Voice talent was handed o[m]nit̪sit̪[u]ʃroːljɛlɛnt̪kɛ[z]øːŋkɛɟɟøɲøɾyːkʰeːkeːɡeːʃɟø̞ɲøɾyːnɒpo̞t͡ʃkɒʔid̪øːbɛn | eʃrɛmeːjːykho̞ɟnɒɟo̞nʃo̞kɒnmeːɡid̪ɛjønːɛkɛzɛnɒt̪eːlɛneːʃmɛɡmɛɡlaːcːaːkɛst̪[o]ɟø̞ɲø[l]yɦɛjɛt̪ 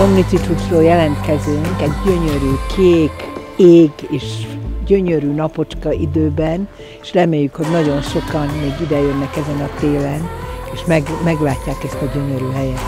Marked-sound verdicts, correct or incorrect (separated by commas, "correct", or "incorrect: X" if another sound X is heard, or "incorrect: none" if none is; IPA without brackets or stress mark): correct, correct, correct, incorrect: ɒ, incorrect: ɾ